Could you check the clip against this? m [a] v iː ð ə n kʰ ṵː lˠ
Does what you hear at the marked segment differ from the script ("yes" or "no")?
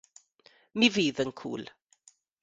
yes